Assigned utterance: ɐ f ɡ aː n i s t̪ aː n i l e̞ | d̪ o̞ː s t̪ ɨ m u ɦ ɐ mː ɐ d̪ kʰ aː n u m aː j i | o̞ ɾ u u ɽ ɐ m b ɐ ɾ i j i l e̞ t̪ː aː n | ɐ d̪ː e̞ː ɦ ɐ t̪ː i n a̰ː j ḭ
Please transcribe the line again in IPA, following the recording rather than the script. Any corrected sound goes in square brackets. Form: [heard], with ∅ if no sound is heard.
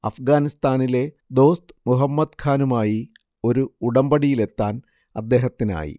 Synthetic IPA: ɐ f ɡ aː n i s t̪ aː n i l e̞ | d̪ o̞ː s t̪ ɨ m u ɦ ɐ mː ɐ d̪ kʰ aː n u m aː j i | o̞ ɾ u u ɽ ɐ m b ɐ [ɽ] i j i l e̞ t̪ː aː n | ɐ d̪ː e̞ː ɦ ɐ t̪ː i n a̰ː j ḭ